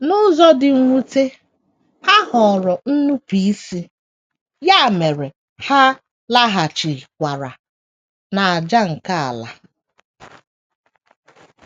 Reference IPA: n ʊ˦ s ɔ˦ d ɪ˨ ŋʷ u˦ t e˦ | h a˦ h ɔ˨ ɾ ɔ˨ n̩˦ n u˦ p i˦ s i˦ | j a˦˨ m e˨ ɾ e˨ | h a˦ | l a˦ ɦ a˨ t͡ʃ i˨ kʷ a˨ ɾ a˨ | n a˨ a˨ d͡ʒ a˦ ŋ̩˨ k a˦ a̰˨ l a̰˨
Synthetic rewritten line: n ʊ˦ z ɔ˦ d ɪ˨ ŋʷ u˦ t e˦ | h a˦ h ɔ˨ ɾ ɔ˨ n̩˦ n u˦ p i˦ s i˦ | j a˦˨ m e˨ ɾ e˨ | h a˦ | l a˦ ɦ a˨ t͡ʃ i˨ kʷ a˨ ɾ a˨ | n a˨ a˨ d͡ʒ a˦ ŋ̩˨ k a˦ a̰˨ l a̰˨